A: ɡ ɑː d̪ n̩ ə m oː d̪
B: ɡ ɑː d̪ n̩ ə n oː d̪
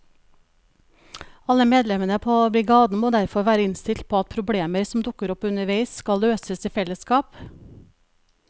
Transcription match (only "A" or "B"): A